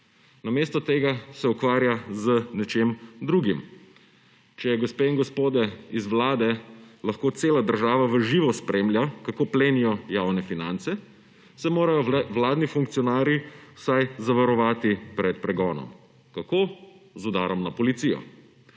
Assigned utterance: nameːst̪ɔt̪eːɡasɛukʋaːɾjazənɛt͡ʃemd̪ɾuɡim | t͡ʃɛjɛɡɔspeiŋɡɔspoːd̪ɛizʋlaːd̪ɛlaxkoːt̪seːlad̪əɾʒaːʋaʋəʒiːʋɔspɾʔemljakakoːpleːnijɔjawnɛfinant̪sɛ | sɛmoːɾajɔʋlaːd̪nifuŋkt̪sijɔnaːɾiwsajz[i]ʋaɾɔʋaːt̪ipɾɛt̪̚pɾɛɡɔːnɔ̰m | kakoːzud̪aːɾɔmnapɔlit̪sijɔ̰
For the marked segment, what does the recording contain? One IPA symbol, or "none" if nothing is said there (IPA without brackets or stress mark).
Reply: a